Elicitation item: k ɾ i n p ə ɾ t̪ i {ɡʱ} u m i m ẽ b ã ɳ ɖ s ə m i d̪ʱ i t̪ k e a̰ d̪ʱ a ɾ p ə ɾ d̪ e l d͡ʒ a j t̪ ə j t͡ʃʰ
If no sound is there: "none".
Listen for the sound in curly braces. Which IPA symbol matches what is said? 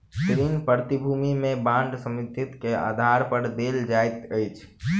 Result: bʱ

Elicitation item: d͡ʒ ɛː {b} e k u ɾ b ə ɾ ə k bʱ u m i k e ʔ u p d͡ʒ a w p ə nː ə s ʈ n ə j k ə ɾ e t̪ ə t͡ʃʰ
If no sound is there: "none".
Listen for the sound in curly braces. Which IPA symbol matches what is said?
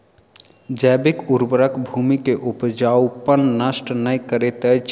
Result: b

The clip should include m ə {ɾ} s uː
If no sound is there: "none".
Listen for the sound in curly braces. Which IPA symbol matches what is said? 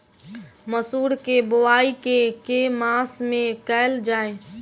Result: none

